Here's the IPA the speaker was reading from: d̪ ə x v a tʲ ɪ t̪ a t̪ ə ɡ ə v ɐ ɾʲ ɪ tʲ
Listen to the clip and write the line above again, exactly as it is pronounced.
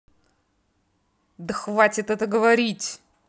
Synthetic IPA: d̪ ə x v a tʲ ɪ t̪ ɛ t̪ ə ɡ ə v ɐ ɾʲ i tʲ